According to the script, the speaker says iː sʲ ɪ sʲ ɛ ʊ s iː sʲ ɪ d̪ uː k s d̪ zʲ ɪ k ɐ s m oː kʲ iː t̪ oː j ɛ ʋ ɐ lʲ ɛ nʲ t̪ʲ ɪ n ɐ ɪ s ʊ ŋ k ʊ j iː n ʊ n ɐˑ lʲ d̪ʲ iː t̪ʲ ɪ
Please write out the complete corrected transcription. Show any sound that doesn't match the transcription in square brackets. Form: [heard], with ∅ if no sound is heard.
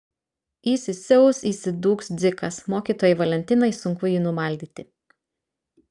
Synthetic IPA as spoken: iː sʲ ɪ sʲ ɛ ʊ s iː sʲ ɪ d̪ uː k s d̪ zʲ ɪ k ɐ s m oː kʲ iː t̪ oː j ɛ ʋ ɐ lʲ ɛ nʲ t̪ʲ ɪ n ɐ ɪ s ʊ ŋ k ʊ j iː n ʊ [m] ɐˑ lʲ d̪ʲ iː t̪ʲ ɪ

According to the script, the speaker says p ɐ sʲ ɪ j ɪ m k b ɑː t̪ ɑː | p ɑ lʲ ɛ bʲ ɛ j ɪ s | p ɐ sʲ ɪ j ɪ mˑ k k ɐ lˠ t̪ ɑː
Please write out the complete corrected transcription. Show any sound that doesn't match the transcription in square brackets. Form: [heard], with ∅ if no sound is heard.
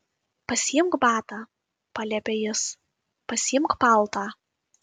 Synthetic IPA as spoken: p ɐ sʲ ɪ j ɪ m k b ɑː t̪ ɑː | p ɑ lʲ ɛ [pʲ] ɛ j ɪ s | p ɐ sʲ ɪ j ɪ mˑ k [p] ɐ lˠ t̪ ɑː

